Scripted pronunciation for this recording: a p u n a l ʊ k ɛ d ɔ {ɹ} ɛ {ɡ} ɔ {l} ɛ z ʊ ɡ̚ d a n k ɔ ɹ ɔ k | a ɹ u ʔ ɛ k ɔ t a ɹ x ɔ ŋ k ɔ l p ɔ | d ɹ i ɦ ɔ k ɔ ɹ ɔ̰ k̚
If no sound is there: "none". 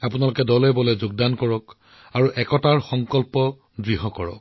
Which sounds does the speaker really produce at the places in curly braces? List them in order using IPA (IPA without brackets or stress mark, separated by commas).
l, b, l